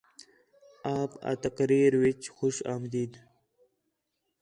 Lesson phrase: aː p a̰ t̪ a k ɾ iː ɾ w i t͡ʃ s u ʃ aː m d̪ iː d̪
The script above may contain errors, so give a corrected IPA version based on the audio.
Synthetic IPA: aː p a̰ t̪ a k ɾ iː ɾ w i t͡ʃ x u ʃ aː m d̪ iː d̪